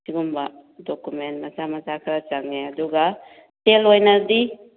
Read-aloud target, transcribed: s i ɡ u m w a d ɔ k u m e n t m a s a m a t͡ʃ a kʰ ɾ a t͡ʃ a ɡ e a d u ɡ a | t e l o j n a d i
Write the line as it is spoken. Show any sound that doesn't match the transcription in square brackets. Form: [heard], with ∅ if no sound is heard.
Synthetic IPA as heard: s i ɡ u m [b] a d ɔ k u m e n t m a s a m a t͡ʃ a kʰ ɾ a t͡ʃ a [ŋ] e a d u ɡ a | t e l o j n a d i